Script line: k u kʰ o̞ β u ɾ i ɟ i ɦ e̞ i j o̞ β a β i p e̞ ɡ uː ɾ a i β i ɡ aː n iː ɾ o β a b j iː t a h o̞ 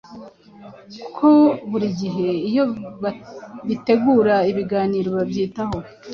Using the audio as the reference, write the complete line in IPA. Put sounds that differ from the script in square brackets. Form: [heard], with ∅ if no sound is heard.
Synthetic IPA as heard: k u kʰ o̞ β u ɾ i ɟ i ɦ e̞ i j o̞ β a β i [t] e̞ ɡ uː ɾ a i β i ɡ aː n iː ɾ o β a b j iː t a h o̞